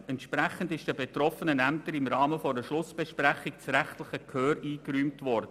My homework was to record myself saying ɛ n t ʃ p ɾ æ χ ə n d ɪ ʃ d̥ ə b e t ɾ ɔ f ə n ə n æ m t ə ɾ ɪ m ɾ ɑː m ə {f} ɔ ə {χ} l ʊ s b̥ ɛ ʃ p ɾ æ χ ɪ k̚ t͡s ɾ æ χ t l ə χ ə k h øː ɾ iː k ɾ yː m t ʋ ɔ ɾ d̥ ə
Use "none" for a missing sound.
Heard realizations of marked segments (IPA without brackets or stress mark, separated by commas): f, ʃ